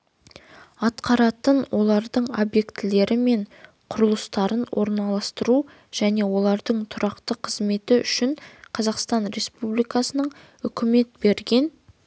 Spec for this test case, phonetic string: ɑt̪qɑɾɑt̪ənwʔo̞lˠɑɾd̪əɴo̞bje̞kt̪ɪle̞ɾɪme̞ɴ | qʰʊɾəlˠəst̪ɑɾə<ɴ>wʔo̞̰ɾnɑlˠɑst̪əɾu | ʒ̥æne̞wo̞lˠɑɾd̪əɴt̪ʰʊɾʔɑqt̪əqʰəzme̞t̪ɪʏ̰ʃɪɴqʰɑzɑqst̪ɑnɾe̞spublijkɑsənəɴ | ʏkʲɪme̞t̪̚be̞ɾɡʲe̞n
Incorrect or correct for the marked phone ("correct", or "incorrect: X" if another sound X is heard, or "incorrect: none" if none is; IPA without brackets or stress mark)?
incorrect: n